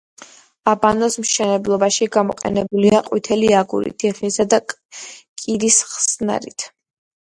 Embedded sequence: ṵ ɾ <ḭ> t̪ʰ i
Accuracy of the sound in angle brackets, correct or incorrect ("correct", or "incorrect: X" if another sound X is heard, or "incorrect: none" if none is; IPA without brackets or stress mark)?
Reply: correct